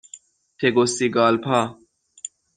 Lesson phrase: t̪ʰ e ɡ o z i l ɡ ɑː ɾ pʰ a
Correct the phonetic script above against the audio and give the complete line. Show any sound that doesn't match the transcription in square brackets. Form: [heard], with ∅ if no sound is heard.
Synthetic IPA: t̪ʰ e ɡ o [s] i [∅] ɡ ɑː [l] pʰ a